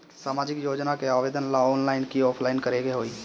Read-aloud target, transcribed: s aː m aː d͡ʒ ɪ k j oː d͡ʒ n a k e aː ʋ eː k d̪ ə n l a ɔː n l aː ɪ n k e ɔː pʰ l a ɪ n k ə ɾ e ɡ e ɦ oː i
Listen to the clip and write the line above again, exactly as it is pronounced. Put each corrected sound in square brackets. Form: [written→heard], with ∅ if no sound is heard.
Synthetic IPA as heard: s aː m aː d͡ʒ ɪ k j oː d͡ʒ n a k e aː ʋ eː [k→∅] d̪ ə n l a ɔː n l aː ɪ n k [e→i] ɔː pʰ l a ɪ n k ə ɾ e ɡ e ɦ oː i

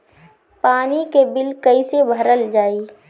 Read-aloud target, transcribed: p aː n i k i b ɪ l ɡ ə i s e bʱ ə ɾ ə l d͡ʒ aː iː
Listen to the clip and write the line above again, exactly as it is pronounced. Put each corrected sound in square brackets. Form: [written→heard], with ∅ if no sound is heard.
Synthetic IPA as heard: p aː n i k [i→e] b ɪ l [ɡ→k] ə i s e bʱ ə ɾ ə l d͡ʒ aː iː

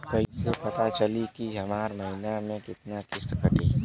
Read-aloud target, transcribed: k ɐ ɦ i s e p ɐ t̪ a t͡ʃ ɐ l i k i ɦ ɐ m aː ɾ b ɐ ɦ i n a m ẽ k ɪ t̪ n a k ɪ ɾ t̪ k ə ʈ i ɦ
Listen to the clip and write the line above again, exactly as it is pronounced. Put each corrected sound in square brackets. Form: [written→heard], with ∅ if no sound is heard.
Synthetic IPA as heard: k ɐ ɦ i s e p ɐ t̪ a t͡ʃ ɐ l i k i ɦ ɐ m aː ɾ [b→m] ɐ ɦ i n a m ẽ k ɪ t̪ n a k ɪ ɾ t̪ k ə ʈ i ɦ

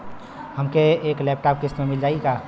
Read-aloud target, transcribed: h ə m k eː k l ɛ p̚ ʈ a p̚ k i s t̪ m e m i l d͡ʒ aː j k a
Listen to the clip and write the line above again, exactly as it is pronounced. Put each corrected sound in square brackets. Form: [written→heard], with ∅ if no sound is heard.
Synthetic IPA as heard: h ə m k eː k l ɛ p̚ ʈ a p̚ k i s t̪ m e m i l d͡ʒ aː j k a

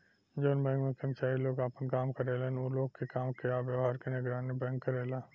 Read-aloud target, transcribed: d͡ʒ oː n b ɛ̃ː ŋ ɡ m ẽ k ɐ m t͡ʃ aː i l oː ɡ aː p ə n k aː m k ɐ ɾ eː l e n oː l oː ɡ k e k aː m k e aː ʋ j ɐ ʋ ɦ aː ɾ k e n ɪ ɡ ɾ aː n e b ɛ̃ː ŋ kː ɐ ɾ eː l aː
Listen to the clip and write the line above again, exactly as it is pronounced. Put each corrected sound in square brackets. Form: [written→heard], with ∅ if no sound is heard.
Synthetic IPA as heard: d͡ʒ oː n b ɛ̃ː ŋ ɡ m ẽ k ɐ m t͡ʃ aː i l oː ɡ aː p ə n k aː m k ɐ ɾ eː l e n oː l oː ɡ k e k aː m k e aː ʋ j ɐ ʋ ɦ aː ɾ k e n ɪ ɡ ɾ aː n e b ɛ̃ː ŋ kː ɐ ɾ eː l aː

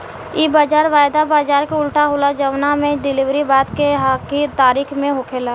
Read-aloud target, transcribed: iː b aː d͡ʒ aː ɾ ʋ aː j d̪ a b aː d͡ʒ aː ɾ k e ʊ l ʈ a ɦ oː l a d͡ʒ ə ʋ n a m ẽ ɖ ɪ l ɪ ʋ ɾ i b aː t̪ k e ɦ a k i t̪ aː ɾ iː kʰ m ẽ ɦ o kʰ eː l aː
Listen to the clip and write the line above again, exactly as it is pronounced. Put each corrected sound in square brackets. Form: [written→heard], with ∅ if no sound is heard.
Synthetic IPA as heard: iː b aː d͡ʒ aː ɾ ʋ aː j d̪ a b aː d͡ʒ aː ɾ k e ʊ l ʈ a ɦ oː l a d͡ʒ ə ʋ n a m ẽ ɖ ɪ l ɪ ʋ ɾ i b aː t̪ k e ɦ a k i t̪ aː ɾ iː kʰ m ẽ ɦ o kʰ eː l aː

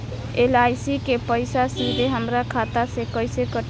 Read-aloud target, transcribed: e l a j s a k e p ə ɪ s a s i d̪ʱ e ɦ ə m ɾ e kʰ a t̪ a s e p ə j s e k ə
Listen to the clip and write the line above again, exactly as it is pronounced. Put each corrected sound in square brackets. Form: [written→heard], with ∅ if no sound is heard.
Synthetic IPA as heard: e l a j s [a→i] k e p ə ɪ s a s i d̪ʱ e ɦ ə m ɾ [e→a] kʰ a t̪ a s e [p→k] ə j s e k ə

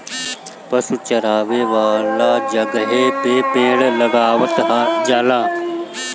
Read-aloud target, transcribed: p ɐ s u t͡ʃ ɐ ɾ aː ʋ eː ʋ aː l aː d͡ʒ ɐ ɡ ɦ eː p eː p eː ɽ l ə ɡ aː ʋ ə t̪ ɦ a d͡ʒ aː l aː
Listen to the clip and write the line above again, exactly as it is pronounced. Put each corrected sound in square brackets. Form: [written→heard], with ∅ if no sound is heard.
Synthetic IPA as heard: p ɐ s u t͡ʃ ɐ ɾ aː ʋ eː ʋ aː l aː d͡ʒ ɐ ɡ ɦ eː p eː p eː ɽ l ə ɡ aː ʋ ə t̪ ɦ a d͡ʒ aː l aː

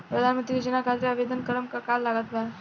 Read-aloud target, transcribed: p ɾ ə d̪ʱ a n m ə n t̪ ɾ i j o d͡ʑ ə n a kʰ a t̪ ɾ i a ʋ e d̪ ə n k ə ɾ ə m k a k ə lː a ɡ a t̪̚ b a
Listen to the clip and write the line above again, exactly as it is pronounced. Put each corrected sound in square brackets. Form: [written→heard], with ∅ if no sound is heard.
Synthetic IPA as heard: p ɾ ə d̪ʱ a n m ə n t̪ ɾ i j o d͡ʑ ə n a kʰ a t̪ ɾ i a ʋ e d̪ ə n k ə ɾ ə m k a k [ə→a] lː a ɡ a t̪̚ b a

